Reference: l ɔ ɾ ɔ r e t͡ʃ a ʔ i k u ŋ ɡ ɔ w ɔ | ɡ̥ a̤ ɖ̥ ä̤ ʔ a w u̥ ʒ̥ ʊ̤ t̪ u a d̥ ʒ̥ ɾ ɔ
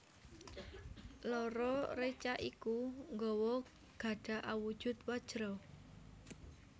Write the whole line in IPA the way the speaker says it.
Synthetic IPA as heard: l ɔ ɾ ɔ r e t͡ʃ a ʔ i k u ŋ ɡ ɔ w ɔ | ɡ̥ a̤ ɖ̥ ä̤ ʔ a w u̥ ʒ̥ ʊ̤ t̪ w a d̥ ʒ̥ ɾ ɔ